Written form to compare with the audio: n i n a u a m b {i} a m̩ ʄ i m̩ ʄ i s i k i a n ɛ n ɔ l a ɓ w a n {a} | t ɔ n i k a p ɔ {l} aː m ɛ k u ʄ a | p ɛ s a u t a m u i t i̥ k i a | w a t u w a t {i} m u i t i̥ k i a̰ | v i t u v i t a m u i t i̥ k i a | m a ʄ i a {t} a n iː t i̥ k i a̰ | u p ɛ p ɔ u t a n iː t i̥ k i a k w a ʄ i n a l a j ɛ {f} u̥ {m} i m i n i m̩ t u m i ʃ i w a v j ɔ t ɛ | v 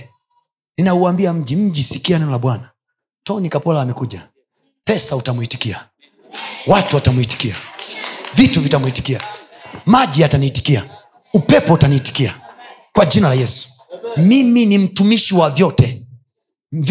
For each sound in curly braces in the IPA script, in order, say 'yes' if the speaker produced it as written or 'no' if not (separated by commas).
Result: yes, yes, yes, no, yes, no, yes